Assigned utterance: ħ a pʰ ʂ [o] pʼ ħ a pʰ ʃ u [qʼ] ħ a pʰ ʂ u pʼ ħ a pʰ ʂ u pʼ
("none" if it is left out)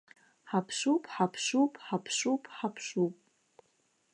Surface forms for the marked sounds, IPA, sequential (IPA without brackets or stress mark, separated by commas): u, pʼ